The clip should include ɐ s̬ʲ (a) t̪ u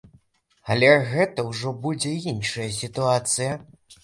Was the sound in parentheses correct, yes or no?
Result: no